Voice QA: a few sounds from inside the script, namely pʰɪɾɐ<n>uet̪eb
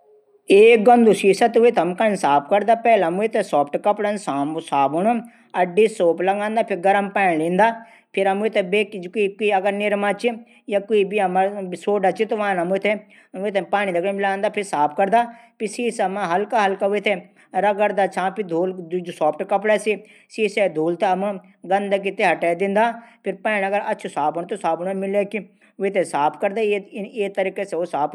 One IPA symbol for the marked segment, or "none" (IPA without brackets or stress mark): m